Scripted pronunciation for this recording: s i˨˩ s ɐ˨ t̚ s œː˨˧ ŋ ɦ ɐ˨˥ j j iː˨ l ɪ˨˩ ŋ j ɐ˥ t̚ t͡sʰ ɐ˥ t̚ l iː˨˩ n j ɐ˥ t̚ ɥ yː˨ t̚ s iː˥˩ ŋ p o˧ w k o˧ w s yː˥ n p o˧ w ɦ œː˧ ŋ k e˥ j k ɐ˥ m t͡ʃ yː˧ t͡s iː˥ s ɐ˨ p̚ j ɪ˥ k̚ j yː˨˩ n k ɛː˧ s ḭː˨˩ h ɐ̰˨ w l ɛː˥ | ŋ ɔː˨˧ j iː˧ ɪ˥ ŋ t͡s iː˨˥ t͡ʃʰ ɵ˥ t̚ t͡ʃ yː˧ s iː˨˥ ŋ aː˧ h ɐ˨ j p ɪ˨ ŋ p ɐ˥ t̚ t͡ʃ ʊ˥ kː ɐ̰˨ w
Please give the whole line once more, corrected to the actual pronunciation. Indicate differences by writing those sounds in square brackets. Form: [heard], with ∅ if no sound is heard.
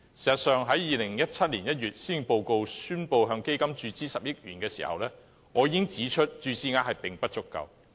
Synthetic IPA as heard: s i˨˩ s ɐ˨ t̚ s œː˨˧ ŋ ɦ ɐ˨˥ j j iː˨ l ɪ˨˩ ŋ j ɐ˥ t̚ t͡sʰ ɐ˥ t̚ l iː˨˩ n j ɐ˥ t̚ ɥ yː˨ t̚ s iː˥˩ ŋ p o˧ w k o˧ w s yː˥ n p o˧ w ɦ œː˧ ŋ k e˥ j k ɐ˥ m t͡ʃ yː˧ t͡s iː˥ s ɐ˨ p̚ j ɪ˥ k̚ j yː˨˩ n k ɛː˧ s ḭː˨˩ h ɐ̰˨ w l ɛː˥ | ŋ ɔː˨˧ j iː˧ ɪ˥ ŋ t͡s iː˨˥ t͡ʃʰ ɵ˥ t̚ t͡ʃ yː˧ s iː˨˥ ŋ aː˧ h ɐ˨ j p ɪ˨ ŋ p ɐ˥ t̚ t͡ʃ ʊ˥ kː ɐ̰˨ w